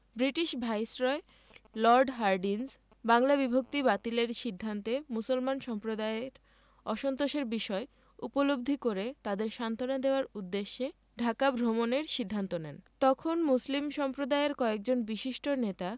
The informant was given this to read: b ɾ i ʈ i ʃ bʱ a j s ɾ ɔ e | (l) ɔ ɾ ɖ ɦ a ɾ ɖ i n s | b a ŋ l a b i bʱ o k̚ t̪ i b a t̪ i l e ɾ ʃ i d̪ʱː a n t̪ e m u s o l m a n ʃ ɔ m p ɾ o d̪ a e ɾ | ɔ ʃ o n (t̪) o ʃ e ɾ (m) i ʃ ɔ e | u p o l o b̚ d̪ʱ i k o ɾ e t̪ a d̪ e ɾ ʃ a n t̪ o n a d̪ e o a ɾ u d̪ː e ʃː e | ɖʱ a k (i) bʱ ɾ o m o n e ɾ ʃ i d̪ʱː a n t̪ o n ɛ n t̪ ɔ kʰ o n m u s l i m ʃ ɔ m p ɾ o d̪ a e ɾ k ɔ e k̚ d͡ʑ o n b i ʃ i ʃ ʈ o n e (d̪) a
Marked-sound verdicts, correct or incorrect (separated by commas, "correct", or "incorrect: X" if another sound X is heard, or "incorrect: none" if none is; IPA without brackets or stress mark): correct, correct, incorrect: b, incorrect: a, incorrect: t̪